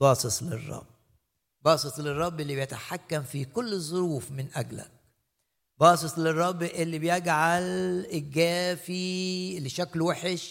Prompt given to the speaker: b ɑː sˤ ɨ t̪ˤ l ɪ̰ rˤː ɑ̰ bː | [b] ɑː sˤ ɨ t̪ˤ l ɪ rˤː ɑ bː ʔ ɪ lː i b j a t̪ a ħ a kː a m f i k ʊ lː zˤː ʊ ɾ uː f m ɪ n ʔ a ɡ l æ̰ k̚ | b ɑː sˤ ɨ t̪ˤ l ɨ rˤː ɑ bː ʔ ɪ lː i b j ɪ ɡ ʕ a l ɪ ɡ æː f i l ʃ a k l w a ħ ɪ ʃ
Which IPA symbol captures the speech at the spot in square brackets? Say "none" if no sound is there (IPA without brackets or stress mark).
b